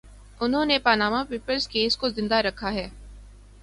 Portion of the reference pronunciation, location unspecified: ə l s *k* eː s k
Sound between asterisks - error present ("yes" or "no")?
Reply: no